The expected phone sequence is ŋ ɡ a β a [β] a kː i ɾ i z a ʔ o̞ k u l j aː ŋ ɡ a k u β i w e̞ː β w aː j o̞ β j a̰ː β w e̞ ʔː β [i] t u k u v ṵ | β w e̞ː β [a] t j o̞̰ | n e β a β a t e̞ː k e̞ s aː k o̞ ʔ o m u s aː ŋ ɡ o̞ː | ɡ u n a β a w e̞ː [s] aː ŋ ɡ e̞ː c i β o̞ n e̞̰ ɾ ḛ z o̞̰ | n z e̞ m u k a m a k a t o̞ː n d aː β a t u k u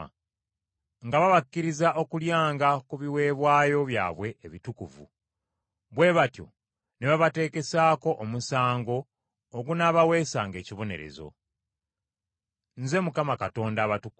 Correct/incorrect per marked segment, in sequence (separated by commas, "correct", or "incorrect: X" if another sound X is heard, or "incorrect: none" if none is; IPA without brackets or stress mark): correct, correct, correct, correct